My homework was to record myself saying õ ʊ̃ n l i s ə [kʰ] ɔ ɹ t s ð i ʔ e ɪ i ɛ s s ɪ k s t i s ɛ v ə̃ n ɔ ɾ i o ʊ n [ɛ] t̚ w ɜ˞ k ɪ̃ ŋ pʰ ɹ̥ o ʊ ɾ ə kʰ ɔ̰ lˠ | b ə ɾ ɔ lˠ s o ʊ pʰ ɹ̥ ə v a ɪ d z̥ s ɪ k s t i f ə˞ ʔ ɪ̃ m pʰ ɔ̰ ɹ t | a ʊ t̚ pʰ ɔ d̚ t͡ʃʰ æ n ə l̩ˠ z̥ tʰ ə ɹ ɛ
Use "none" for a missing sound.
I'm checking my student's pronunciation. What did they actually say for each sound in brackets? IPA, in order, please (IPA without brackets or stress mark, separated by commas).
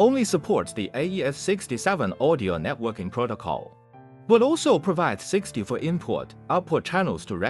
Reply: pʰ, ɛ